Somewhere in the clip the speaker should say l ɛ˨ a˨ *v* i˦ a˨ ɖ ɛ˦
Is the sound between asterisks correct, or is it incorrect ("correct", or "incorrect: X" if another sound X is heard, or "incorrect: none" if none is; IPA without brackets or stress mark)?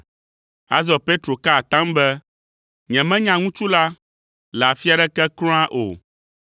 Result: incorrect: f